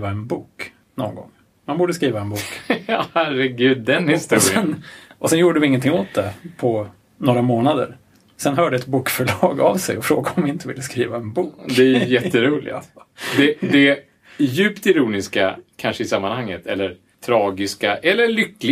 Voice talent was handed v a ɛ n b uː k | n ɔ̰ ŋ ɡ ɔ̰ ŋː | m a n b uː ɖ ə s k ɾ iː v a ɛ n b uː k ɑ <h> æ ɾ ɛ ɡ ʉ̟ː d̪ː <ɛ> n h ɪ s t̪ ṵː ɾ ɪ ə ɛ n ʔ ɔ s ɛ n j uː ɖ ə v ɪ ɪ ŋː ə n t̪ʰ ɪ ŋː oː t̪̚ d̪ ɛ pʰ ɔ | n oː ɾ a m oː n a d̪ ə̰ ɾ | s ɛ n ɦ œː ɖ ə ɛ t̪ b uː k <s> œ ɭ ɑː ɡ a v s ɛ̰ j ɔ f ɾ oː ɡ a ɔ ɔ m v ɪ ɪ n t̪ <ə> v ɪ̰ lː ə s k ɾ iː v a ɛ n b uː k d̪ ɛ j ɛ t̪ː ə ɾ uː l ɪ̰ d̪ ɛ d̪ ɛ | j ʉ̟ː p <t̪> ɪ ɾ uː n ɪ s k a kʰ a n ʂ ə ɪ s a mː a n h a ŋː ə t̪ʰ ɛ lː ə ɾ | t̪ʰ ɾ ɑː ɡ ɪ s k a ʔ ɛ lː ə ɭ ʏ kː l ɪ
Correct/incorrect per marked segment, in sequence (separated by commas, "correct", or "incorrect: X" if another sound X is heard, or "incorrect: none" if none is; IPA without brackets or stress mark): correct, correct, incorrect: f, correct, correct